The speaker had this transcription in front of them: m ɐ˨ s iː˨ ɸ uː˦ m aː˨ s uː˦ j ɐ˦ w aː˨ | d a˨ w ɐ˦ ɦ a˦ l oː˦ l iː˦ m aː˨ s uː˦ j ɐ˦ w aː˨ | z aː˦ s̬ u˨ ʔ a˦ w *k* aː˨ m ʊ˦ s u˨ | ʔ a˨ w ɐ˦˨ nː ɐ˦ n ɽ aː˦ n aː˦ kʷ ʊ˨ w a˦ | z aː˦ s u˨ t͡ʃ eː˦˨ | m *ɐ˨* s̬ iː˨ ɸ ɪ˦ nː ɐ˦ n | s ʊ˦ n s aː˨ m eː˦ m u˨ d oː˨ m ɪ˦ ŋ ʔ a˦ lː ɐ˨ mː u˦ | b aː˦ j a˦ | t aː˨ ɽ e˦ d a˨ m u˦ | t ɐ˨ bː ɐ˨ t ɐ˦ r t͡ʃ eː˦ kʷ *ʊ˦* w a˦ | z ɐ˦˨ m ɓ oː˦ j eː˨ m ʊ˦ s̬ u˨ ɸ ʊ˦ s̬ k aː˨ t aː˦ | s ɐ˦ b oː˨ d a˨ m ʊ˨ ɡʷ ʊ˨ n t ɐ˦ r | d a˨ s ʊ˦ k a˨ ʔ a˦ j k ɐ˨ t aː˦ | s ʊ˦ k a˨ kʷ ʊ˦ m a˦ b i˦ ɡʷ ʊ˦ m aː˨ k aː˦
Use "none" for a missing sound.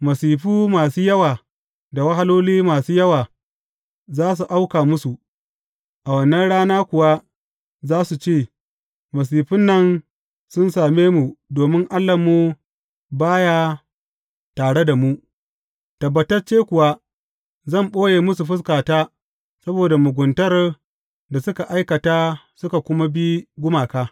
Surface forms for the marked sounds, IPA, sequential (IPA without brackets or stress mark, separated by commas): k, ɐ˨, ʊ˨